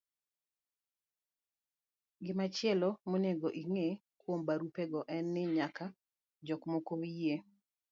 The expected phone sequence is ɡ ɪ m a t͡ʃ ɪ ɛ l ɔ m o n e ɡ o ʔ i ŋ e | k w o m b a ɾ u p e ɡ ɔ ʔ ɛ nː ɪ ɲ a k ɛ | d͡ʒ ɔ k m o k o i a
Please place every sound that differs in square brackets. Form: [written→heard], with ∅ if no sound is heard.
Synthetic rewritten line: ɡ ɪ m a t͡ʃ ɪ ɛ l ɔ m o n e ɡ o ʔ i ŋ e | k w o m b a ɾ u p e ɡ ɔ ʔ ɛ nː ɪ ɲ a k [ɛ→a] | d͡ʒ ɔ k m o k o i [a→e]

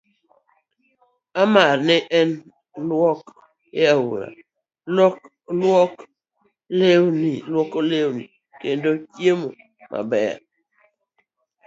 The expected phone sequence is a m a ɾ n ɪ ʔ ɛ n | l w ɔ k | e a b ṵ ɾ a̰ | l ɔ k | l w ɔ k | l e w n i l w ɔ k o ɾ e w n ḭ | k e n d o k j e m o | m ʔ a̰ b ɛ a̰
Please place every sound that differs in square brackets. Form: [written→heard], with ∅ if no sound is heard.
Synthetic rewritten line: a m a ɾ n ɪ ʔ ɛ n | l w ɔ k | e a [b→w] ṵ ɾ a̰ | l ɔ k | l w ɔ k | l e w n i l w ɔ k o [ɾ→l] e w n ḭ | k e n d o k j e m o | m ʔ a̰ b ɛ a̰

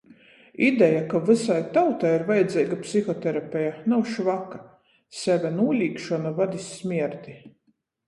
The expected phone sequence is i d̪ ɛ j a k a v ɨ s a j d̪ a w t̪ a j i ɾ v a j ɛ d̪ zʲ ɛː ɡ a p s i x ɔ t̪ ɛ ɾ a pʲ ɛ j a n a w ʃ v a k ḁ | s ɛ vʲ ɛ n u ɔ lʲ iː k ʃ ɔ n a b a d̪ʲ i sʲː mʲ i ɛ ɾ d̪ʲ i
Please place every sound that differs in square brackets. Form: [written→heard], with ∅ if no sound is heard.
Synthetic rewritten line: i d̪ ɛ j a k a v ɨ s a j [d̪→t̪] a w t̪ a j i ɾ v a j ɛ d̪ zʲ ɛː ɡ a p s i x ɔ t̪ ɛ ɾ a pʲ ɛ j a n a w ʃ v a k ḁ | s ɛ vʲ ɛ n u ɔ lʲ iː k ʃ ɔ n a [b→v] a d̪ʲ i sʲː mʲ i ɛ ɾ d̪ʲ i

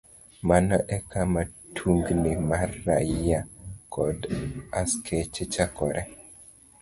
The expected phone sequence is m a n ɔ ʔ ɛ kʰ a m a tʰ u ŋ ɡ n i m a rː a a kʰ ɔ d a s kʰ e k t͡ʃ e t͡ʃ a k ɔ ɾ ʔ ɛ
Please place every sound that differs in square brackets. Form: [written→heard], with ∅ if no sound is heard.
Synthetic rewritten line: m a n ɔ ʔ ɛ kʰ a m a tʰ u ŋ ɡ n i m a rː a a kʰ ɔ d a s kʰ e [k→∅] t͡ʃ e t͡ʃ a k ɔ ɾ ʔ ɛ

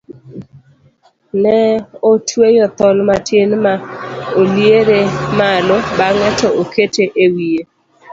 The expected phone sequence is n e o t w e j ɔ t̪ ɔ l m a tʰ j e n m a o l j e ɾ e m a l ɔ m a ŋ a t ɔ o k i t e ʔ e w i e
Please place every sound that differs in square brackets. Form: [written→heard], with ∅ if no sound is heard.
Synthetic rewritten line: n [e→ɛ] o t w e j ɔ t̪ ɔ l m a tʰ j e n m a o l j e ɾ e m a l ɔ [m→b] a ŋ [a→ɛ] t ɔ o k [i→e] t e ʔ e w i e

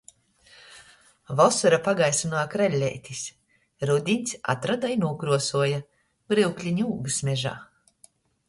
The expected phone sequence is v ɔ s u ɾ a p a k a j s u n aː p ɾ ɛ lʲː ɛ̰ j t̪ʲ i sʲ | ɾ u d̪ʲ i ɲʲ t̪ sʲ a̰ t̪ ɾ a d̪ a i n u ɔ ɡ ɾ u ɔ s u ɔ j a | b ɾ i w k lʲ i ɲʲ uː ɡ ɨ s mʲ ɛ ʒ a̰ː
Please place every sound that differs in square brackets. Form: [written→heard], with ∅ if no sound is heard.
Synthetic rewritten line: v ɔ s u ɾ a p a [k→ɡ] a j s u n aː [p→k] ɾ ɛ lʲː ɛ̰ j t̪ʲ i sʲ | ɾ u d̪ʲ i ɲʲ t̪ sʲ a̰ t̪ ɾ a d̪ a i n u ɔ [ɡ→k] ɾ u ɔ s u ɔ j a | b ɾ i w k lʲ i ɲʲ uː ɡ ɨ s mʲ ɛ ʒ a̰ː

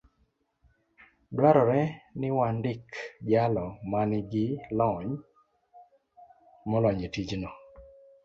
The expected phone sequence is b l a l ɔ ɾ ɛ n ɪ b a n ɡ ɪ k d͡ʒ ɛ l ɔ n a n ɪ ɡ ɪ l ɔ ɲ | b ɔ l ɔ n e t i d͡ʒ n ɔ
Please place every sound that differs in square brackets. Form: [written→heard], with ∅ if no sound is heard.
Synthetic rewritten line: b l a [l→ɾ] ɔ ɾ ɛ n ɪ [b→w] a n [ɡ→d] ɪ k d͡ʒ [ɛ→a] l ɔ [n→m] a n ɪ ɡ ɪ l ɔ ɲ | [b→m] ɔ l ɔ [n→ɲ] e t i d͡ʒ n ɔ

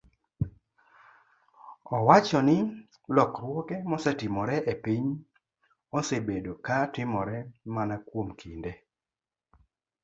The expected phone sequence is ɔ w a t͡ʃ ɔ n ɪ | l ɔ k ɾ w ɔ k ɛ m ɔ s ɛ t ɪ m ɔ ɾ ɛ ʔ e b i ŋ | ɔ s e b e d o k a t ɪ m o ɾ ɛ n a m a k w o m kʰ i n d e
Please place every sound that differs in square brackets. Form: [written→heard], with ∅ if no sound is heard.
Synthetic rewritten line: ɔ w a t͡ʃ ɔ n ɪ | l ɔ k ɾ w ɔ k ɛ m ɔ s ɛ t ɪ m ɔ ɾ ɛ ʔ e [b→p] i [ŋ→ɲ] | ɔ s e b e d o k a t ɪ m [o→ɔ] ɾ ɛ [n→m] a [m→n] a k w o m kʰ i n d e

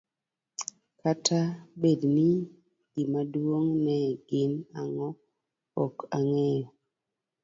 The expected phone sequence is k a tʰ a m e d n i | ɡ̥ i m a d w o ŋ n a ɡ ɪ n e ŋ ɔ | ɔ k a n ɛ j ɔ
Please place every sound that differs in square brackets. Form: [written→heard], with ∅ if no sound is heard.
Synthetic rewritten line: k a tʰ a [m→b] e d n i | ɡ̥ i m a d w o ŋ n [a→ɛ] ɡ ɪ n [e→a] ŋ ɔ | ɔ k a [n→ŋ] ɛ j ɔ

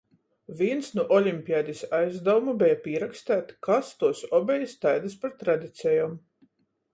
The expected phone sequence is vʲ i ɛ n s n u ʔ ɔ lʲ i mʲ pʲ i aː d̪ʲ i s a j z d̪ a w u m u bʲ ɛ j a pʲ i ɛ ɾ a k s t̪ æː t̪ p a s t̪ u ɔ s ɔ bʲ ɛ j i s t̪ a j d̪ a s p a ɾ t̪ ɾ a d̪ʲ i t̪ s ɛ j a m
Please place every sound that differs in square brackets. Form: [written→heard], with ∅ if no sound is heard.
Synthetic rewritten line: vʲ i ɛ n s n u ʔ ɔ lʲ i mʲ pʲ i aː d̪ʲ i s a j z d̪ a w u m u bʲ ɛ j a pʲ i ɛ ɾ a k s t̪ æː t̪ [p→k] a s t̪ u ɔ s ɔ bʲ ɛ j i s t̪ a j d̪ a s p a ɾ t̪ ɾ a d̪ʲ i t̪ s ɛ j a m

